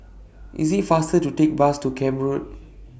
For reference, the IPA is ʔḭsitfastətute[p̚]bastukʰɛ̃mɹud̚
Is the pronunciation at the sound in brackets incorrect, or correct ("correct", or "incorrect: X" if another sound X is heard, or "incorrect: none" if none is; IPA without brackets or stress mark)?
incorrect: k̚